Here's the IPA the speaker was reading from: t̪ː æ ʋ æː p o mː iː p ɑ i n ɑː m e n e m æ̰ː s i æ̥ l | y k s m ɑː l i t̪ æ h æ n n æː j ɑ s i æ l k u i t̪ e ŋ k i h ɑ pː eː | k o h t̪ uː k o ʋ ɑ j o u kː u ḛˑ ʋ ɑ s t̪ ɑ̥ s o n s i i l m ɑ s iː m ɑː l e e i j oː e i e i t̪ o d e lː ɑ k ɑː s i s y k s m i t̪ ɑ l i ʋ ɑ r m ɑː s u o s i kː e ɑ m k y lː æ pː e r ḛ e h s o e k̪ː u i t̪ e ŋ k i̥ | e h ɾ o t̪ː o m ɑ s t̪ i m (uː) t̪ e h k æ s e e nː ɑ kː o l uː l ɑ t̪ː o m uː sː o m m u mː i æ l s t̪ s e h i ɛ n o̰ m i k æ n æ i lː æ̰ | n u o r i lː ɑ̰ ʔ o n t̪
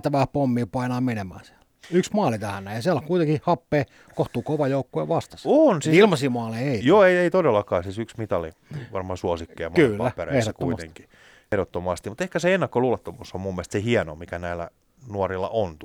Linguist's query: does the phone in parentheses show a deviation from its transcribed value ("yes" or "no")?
yes